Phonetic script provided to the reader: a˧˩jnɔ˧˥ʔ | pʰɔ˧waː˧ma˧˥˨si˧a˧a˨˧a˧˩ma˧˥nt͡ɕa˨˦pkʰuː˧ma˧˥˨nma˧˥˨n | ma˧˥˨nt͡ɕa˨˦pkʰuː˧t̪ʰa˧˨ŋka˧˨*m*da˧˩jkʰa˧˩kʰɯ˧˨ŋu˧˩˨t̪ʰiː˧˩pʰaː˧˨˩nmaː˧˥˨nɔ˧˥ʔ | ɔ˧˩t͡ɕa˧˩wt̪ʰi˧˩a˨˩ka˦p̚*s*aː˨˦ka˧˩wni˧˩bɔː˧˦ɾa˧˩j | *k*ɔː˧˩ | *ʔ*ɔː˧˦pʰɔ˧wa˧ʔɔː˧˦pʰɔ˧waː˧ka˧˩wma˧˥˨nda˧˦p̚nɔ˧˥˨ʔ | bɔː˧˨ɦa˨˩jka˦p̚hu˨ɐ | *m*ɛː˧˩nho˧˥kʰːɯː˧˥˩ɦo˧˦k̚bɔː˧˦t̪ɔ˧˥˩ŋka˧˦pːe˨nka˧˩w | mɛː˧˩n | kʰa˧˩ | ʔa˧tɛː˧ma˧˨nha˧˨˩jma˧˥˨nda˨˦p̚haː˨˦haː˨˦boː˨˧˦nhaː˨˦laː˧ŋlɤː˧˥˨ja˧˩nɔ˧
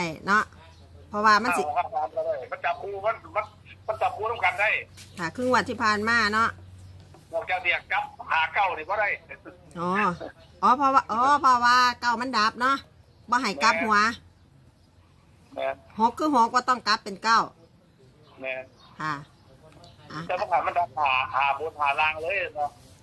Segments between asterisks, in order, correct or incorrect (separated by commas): incorrect, incorrect, incorrect, correct, correct